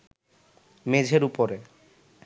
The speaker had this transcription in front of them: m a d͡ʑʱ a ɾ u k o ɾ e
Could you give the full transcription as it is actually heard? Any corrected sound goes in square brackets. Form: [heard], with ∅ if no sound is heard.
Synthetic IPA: m [e] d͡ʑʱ [e] ɾ u [p] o ɾ e